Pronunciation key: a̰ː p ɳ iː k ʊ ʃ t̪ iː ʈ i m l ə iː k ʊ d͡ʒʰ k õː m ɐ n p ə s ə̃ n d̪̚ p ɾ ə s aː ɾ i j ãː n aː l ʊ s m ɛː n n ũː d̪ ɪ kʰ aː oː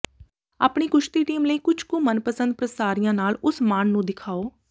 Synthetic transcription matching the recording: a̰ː p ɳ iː k ʊ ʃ t̪ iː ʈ iː m l ə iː k ʊ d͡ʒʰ k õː m ə n p ə s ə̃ n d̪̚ p ɾ ə s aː ɾ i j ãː n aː l ʊ s m aː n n ũː d̪ ɪ kʰ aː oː